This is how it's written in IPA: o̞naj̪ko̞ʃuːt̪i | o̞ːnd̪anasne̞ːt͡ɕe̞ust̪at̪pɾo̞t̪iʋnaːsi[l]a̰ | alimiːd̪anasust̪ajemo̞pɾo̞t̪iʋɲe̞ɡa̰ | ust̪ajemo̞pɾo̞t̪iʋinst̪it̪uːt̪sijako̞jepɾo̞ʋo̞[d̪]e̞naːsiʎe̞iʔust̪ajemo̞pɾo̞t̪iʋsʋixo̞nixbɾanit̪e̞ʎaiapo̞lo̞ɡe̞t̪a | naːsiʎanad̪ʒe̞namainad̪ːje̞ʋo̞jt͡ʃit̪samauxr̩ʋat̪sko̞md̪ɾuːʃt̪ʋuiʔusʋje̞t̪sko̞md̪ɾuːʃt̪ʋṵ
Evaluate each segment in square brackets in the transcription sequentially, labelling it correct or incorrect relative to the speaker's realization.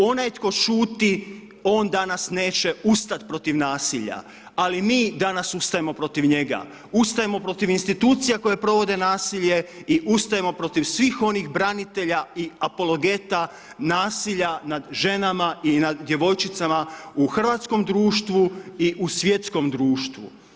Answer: incorrect: ʎ, correct

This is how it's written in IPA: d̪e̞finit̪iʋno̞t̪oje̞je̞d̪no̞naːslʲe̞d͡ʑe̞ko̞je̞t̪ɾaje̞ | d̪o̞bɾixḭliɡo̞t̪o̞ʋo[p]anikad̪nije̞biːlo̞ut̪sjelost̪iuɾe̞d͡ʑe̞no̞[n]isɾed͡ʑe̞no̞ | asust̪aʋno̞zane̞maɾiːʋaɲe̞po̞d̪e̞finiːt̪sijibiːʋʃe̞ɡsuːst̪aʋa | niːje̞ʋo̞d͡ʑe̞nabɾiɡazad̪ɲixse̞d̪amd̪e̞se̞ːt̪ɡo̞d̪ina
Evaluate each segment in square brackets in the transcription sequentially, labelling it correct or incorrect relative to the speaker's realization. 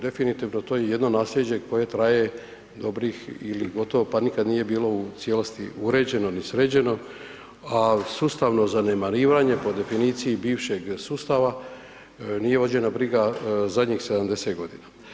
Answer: correct, correct

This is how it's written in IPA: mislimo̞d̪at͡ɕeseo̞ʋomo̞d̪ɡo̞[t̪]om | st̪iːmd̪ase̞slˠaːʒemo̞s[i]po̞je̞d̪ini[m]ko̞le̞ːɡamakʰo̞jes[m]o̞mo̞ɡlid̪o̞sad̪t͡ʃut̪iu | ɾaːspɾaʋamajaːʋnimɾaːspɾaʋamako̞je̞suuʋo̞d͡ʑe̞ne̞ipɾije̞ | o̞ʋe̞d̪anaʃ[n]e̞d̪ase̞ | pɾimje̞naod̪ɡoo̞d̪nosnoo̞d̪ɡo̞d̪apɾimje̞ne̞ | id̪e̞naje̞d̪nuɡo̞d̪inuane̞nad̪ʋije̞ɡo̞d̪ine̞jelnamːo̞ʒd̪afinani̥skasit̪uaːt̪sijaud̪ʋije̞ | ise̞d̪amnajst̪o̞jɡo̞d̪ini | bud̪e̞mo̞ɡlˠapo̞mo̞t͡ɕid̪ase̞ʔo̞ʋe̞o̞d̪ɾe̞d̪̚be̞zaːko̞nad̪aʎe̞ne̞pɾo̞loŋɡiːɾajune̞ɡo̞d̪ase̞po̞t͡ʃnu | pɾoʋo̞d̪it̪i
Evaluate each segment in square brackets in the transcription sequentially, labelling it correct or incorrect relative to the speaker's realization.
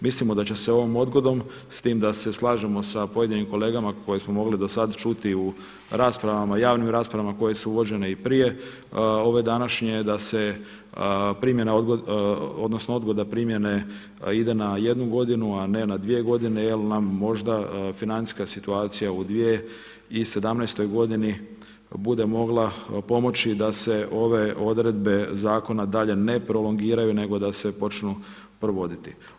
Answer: incorrect: d̪, incorrect: a, correct, correct, incorrect: ɲ

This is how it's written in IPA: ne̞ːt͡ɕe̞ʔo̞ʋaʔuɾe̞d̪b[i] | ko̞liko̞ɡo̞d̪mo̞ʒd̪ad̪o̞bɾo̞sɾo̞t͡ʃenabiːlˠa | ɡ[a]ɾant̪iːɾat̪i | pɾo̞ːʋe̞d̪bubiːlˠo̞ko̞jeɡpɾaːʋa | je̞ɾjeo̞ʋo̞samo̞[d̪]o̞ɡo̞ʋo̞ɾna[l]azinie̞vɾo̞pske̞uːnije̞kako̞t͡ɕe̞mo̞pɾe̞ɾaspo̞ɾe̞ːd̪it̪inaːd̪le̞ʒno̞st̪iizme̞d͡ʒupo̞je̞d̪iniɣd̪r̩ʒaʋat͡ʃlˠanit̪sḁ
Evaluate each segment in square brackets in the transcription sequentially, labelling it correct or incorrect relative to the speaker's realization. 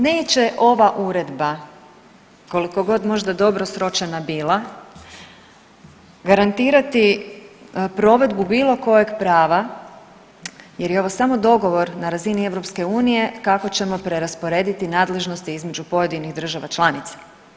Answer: incorrect: a, correct, correct, incorrect: ɾ

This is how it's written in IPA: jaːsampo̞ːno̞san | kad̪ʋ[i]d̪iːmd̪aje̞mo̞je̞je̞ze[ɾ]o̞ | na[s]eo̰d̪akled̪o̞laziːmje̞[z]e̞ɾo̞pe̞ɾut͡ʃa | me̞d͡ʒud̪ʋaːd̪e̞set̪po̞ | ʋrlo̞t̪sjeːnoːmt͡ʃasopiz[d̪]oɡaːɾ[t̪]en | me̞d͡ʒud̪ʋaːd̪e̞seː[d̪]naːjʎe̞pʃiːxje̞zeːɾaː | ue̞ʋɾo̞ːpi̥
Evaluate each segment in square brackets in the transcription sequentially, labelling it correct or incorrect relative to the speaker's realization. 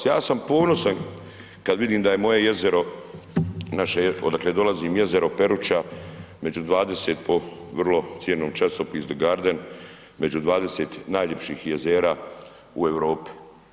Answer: correct, correct, incorrect: ʃ, correct, correct, incorrect: d̪, incorrect: t̪

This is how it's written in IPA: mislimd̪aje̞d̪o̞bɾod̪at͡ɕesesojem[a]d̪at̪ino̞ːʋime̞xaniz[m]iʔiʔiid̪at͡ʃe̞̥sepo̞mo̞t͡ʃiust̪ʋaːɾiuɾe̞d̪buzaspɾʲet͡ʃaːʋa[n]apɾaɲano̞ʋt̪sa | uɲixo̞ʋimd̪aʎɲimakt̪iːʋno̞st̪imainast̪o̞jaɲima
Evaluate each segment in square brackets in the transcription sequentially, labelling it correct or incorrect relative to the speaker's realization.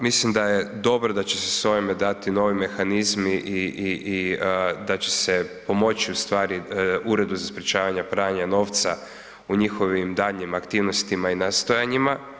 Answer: incorrect: e, correct, incorrect: ɲ

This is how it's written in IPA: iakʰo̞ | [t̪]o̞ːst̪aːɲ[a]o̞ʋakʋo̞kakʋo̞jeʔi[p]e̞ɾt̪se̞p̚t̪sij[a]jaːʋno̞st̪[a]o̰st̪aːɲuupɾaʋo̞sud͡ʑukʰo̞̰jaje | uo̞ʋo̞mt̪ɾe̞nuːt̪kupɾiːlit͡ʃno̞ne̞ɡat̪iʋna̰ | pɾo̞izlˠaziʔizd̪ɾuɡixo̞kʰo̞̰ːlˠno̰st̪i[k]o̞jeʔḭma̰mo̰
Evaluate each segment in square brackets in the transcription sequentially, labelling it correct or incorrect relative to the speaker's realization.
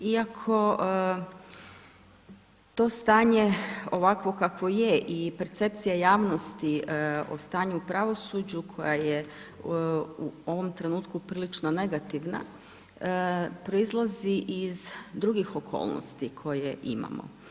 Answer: correct, incorrect: e, correct, correct, incorrect: i, incorrect: kʰ

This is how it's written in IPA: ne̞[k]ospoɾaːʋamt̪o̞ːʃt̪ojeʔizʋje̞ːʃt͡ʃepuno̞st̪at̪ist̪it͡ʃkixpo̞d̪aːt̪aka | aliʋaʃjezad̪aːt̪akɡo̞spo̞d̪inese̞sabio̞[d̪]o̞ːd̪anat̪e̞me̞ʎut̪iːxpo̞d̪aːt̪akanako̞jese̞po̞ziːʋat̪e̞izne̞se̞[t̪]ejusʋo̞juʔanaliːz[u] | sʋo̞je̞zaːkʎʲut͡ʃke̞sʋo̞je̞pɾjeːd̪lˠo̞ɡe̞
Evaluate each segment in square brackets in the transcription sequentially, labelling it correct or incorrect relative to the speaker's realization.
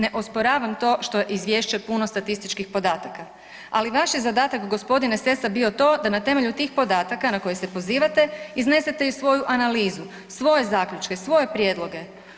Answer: incorrect: ʔ, incorrect: t̪, correct, correct

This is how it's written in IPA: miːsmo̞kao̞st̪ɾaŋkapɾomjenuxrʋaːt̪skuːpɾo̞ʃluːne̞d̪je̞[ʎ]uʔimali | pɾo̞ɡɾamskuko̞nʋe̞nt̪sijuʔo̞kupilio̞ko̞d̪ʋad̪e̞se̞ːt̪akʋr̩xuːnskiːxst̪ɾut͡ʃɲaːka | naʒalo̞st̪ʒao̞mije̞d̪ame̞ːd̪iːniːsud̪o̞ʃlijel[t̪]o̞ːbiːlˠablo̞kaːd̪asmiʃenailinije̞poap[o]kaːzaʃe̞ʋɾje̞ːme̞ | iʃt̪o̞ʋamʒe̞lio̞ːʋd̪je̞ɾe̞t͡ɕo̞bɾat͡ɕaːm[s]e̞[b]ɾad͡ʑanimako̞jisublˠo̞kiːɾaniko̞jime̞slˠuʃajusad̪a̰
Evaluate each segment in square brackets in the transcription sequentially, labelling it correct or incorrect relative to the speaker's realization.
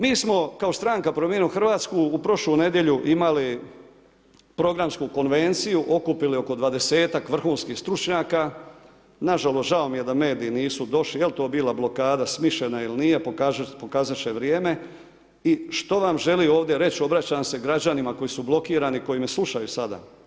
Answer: correct, correct, correct, correct, incorrect: ɡ

